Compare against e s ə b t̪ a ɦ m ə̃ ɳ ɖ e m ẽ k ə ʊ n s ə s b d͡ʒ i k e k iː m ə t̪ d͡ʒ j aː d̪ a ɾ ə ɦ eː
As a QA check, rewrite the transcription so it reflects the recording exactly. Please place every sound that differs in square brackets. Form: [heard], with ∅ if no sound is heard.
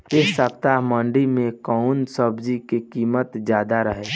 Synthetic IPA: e s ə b t̪ a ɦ m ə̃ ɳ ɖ [i] m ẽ k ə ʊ n s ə [∅] b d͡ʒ i k e k iː m ə t̪ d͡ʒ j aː d̪ a ɾ ə ɦ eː